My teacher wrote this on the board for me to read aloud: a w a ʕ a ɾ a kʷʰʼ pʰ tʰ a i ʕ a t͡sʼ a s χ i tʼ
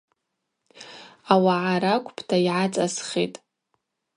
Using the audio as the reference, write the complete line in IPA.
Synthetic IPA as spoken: a w a ʕ a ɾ a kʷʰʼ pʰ tʰ a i ʕ a t͡sʼ a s χ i tʼ